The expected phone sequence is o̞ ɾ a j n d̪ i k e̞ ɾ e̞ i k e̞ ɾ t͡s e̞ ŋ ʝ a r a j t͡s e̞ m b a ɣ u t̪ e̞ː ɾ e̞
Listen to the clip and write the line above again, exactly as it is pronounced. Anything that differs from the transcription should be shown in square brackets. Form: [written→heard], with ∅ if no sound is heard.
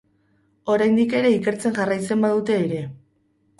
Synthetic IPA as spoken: o̞ ɾ a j n d̪ i k e̞ ɾ e̞ i k e̞ ɾ t͡s e̞ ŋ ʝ a r a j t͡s e̞ m b a [ɣ→ð] u t̪ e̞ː ɾ e̞